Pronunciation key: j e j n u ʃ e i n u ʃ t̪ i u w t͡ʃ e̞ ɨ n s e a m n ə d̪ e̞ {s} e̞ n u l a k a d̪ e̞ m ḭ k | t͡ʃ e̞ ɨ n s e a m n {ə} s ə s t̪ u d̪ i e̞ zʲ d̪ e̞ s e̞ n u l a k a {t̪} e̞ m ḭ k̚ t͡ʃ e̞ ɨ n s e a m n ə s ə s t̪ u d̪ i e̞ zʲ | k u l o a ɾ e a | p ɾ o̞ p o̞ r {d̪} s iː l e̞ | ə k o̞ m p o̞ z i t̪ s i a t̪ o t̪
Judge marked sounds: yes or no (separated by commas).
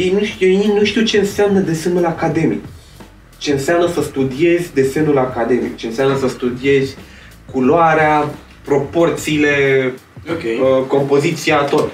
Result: yes, yes, no, no